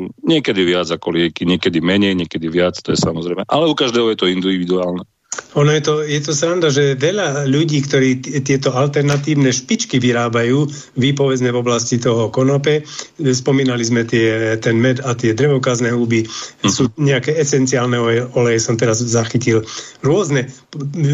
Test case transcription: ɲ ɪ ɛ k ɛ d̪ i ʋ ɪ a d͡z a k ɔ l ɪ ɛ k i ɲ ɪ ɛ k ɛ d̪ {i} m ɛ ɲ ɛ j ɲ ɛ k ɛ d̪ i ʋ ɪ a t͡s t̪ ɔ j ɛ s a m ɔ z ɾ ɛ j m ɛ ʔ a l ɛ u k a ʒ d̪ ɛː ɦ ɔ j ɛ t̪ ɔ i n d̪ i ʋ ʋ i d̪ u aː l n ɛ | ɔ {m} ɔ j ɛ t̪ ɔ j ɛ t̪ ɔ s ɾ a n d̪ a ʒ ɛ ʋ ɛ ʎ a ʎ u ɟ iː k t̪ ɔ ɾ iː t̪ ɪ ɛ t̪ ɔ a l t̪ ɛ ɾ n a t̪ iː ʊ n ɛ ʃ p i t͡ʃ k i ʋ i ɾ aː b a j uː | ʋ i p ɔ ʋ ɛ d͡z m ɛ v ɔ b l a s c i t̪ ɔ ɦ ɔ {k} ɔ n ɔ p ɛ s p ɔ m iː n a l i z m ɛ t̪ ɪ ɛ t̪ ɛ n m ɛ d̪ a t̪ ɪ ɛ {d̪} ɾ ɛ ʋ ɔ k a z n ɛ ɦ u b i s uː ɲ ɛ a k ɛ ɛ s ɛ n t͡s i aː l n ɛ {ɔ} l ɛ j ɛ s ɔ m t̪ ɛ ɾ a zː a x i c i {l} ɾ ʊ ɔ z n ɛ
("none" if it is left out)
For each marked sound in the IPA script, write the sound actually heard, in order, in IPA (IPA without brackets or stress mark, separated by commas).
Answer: i, n, k, d̪, ɔ, l